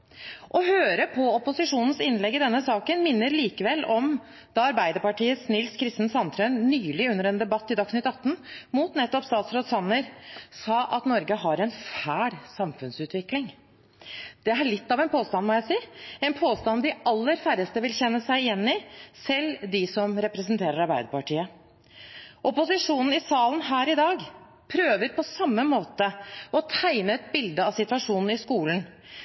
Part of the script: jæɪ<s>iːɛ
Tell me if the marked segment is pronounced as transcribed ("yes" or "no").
yes